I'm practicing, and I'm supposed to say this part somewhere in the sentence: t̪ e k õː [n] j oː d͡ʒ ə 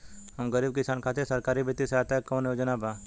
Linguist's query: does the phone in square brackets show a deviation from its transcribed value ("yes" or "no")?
no